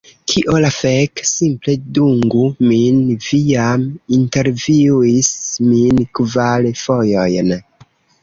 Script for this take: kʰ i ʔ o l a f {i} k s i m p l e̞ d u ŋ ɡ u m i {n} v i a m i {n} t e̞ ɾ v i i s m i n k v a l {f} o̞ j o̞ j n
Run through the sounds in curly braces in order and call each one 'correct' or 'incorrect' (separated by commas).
incorrect, correct, correct, correct